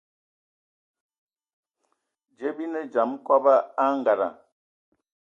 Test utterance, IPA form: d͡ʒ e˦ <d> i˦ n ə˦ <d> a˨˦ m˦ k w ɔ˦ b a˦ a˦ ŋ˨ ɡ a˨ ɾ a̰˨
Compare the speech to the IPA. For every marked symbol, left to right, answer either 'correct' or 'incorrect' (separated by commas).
incorrect, incorrect